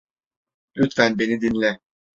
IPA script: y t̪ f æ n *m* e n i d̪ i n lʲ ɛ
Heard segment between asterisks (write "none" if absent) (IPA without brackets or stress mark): b